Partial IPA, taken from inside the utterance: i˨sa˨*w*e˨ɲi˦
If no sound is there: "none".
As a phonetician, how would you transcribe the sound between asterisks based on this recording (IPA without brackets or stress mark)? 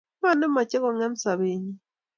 β